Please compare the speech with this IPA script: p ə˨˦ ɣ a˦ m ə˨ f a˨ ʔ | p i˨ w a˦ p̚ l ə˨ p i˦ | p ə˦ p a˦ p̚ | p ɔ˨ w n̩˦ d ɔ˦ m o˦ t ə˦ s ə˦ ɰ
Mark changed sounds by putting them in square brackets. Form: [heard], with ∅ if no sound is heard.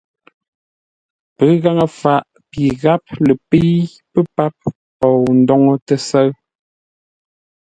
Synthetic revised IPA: p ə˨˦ ɣ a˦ [ŋ] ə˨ f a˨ ʔ | p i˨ [ɣ] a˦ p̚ l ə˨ p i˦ | p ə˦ p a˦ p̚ | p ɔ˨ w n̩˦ d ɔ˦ [ŋ] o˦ t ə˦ s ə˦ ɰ